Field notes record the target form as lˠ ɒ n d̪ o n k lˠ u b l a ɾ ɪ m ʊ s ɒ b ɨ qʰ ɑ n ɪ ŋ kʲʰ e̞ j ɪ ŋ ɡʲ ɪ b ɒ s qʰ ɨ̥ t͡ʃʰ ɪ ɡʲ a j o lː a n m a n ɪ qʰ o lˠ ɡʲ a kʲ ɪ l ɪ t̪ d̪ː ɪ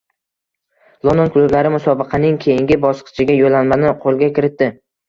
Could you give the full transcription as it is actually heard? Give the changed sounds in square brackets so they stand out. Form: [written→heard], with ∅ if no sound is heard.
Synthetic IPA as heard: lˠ [ɒ→o] n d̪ o n k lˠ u b l a ɾ ɪ m ʊ s ɒ b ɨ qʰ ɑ n ɪ ŋ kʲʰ e̞ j ɪ ŋ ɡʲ ɪ b ɒ s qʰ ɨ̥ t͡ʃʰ ɪ ɡʲ a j o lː a n m a n ɪ qʰ o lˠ ɡʲ a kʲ ɪ [l→ɾ] ɪ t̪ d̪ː ɪ